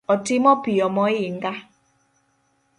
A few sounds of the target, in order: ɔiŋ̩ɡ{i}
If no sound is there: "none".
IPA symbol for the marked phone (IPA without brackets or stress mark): a